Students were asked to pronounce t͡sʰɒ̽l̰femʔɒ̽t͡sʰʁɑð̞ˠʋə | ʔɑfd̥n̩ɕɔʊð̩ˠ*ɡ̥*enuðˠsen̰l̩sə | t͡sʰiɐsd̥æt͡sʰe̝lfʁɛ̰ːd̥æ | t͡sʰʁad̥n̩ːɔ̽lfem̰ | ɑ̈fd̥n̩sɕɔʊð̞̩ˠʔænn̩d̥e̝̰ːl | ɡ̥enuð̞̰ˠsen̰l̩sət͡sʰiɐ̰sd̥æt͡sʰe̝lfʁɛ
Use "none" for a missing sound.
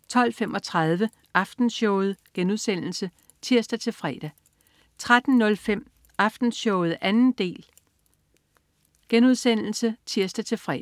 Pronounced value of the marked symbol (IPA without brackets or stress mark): ɡ̥